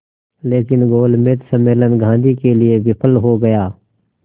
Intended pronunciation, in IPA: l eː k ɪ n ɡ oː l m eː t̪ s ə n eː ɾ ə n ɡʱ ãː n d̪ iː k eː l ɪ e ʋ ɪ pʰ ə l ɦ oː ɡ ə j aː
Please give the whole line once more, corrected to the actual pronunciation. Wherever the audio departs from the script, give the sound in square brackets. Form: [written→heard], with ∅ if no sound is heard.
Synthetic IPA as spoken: l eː k ɪ n ɡ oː l m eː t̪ s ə [n→m] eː [ɾ→l] ə n ɡʱ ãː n d̪ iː k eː l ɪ e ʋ ɪ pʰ ə l ɦ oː ɡ ə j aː